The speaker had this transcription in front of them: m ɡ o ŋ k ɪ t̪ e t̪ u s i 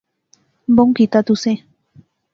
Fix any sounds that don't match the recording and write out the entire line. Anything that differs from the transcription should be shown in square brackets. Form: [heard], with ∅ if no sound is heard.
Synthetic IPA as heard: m [b] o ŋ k [i] t̪ [a] t̪ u s [e]